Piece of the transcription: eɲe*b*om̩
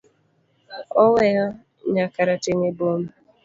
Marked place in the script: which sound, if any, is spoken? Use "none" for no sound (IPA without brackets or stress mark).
b